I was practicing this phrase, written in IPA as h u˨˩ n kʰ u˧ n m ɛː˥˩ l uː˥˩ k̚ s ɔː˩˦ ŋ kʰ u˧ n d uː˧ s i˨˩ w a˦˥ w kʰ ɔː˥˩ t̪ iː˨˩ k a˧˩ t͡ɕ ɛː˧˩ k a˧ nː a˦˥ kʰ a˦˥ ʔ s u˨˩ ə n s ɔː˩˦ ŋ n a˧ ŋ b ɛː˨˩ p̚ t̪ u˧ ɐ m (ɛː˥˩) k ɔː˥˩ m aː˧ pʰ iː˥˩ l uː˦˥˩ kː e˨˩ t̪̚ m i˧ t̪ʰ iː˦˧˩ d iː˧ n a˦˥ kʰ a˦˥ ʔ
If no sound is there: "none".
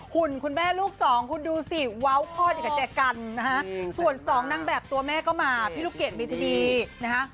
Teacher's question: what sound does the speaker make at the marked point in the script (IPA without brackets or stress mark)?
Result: ɛː˥˩